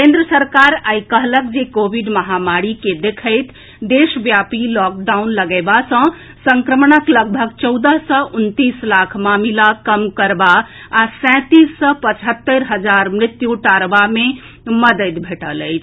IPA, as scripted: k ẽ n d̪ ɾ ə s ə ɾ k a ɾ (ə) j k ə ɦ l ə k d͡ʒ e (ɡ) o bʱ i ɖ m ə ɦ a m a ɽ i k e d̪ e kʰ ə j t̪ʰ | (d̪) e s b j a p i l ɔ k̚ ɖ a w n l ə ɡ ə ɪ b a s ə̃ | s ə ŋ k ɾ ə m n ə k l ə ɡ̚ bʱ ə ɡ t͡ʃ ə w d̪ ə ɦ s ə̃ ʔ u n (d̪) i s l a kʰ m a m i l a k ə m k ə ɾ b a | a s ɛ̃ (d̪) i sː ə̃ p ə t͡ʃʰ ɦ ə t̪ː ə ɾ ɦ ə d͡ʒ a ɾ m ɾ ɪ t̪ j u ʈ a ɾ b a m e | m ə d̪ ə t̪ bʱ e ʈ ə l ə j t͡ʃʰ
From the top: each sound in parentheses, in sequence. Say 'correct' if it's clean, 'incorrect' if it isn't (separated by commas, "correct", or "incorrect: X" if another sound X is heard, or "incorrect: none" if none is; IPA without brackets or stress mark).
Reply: incorrect: a, incorrect: k, correct, incorrect: t̪, incorrect: t̪